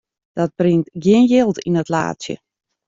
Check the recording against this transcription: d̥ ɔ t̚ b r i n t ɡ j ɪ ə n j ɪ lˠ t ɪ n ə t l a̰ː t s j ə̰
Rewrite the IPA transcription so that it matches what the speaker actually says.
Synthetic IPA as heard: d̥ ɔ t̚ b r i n t ɡ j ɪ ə n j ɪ lˠ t i n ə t l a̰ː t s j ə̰

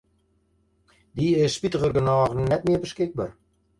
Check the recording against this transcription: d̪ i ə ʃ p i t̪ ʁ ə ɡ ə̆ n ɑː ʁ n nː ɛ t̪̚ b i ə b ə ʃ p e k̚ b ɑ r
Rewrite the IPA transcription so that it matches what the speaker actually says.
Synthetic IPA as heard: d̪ i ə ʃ p i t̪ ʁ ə ɡ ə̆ n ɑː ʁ n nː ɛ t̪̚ m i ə b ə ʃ k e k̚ b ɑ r

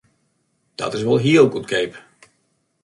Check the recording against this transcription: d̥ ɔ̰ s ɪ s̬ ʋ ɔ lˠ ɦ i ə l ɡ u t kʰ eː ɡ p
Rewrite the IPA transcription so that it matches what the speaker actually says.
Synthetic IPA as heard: d̥ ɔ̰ t ɪ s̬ ʋ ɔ lˠ ɦ i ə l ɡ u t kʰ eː p

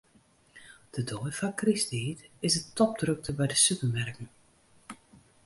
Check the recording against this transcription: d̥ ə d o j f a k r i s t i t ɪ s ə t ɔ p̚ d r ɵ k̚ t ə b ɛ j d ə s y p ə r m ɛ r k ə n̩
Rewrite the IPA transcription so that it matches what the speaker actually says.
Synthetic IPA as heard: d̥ ə d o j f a k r i s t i t ɪ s ə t ɔ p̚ d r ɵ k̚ t ə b ɛ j d ə s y p ə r m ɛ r k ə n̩

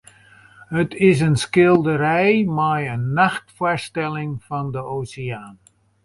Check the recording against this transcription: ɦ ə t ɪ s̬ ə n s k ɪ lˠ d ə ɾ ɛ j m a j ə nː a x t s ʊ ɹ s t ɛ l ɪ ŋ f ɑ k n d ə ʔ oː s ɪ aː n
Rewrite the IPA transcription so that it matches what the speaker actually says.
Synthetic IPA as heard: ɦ ə t ɪ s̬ ə n s k ɪ lˠ d ə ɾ ɛ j m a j ə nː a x t f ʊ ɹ s t ɛ l ɪ ŋ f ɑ n d ə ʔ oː s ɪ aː n

